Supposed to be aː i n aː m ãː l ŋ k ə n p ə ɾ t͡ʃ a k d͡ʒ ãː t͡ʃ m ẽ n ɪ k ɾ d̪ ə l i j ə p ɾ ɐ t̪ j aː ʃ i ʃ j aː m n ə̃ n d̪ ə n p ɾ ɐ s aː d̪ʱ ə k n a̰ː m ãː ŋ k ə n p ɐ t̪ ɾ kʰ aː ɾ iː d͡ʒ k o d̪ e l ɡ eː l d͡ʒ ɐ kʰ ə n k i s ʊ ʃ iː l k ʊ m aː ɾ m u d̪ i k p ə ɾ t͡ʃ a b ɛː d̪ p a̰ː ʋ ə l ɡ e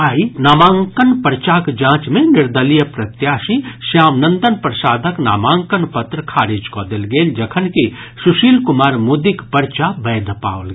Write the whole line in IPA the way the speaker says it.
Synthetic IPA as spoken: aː i n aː m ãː ŋ k ə n p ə ɾ t͡ʃ a k d͡ʒ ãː t͡ʃ m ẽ n ɪ ɾ d̪ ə l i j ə p ɾ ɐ t̪ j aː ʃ i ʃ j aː m n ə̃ n d̪ ə n p ɾ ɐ s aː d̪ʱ ə k n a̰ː m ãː ŋ k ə n p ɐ t̪ ɾ kʰ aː ɾ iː d͡ʒ k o d̪ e l ɡ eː l d͡ʒ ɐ kʰ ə n k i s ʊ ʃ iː l k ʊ m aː ɾ m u d̪ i k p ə ɾ t͡ʃ a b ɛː d̪ p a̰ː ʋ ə l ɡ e